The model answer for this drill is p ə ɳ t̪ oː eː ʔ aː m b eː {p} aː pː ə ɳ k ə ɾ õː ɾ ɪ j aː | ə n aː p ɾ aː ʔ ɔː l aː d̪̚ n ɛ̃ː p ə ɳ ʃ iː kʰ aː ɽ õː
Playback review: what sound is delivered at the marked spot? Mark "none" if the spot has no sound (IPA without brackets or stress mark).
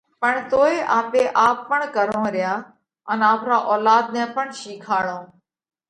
ʔ